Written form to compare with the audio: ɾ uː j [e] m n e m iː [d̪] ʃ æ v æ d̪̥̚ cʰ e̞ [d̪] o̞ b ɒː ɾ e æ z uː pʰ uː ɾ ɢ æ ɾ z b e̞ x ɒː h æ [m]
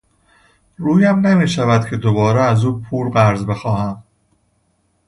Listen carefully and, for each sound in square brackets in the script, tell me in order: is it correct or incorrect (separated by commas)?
incorrect, incorrect, correct, correct